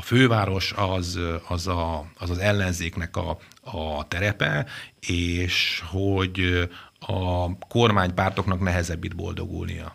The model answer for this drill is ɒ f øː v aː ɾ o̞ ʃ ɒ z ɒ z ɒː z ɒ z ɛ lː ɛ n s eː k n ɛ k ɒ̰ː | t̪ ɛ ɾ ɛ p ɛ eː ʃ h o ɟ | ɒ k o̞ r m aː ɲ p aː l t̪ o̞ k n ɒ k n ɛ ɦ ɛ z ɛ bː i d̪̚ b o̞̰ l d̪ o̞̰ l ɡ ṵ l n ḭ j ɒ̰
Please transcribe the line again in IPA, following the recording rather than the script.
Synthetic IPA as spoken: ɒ f øː v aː ɾ o̞ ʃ ɒ z ɒ z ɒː z ɒ z ɛ lː ɛ n z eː k n ɛ k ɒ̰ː | t̪ ɛ ɾ ɛ p ɛ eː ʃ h o ɟ | ɒ k o̞ r m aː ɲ p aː r t̪ o̞ k n ɒ k n ɛ ɦ ɛ z ɛ bː i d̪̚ b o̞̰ l d̪ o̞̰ ɡ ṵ l n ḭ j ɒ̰